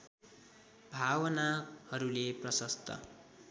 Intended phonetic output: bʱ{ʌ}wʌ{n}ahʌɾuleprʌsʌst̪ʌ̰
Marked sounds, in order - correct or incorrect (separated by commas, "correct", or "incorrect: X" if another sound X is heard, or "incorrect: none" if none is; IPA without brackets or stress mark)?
incorrect: a, correct